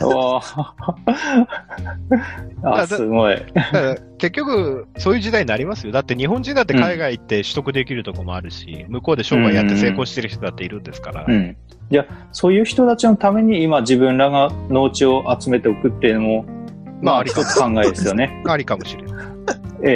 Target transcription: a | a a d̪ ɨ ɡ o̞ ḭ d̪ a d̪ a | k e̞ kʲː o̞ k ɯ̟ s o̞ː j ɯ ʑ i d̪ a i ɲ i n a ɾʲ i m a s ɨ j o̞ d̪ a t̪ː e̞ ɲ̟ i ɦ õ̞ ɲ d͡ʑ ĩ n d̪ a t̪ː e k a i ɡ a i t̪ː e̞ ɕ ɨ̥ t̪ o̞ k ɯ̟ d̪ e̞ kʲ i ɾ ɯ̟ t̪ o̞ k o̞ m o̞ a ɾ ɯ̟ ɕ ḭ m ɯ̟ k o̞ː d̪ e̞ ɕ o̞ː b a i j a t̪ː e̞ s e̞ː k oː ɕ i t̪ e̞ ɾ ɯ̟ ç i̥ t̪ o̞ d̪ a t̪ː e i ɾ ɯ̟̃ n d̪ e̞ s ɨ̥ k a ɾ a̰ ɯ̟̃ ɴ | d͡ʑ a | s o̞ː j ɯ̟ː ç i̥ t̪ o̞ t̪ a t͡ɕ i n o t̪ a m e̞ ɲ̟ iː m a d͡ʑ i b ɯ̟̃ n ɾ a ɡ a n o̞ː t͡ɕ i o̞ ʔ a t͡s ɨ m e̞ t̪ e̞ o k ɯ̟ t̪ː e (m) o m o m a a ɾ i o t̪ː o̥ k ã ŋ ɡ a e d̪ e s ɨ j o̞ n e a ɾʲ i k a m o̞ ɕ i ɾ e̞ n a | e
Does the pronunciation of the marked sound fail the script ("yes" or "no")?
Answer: yes